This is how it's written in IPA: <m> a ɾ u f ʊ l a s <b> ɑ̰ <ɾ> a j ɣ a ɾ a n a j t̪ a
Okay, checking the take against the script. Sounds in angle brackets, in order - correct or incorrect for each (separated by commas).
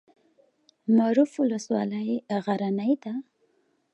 correct, incorrect, incorrect